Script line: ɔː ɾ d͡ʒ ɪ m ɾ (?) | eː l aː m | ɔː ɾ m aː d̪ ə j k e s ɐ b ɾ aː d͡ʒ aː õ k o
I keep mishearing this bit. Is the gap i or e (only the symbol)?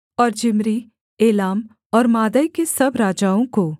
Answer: i